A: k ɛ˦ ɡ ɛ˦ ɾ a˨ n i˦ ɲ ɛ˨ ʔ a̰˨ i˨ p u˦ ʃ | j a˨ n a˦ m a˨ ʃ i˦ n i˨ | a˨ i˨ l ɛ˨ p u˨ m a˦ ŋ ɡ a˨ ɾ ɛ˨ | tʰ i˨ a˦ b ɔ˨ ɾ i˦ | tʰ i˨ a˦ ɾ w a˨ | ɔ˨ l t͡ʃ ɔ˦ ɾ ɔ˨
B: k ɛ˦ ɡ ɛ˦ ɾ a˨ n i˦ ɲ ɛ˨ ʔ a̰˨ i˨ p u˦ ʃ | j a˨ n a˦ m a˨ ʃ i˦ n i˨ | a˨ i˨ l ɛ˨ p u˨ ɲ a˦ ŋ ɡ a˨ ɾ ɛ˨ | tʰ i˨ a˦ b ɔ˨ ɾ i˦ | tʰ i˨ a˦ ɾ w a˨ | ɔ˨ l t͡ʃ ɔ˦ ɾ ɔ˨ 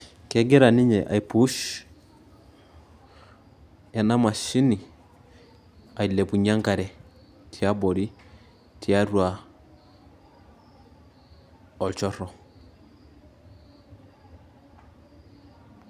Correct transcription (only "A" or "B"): B